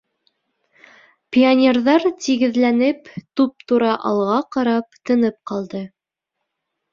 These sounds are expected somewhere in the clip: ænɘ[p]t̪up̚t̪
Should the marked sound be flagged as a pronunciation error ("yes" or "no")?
no